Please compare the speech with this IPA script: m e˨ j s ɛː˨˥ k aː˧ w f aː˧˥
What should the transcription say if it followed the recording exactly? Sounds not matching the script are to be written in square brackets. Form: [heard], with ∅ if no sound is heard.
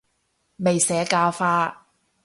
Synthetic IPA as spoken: m e˨ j s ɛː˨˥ k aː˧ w f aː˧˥